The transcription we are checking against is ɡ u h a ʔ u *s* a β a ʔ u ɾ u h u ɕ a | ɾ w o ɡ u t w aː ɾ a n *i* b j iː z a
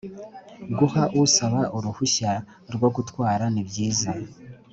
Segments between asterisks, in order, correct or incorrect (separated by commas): correct, correct